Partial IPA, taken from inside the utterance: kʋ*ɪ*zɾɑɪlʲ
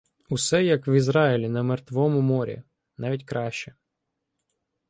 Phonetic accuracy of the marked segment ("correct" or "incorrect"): incorrect